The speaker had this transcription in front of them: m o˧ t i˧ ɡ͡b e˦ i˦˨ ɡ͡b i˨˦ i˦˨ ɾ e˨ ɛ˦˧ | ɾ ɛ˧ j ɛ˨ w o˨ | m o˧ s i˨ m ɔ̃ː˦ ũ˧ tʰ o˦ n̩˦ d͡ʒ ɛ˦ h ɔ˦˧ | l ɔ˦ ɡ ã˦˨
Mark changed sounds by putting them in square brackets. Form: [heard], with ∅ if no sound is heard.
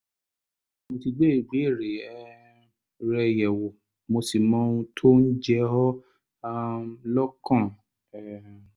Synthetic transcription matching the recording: m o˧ t i˧ ɡ͡b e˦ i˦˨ ɡ͡b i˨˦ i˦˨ ɾ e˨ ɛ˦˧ | ɾ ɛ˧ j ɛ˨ w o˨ | m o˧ s i˨ m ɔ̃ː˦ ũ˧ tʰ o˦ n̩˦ d͡ʒ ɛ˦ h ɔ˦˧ | l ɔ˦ [k] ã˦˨